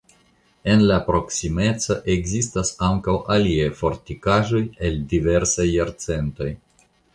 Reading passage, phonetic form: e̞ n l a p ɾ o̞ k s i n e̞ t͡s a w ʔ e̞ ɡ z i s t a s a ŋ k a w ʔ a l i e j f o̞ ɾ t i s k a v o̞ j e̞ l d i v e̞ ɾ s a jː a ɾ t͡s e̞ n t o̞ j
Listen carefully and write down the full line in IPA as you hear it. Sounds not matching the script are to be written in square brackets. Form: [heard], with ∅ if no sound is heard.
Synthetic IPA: e̞ n l a p ɾ o̞ k s i [m] e̞ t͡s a [∅] ʔ e̞ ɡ z i s t a s a ŋ k a w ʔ a l i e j f o̞ ɾ t i [∅] k a [ʒ] o̞ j e̞ l d i v e̞ ɾ s a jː a ɾ t͡s e̞ n t o̞ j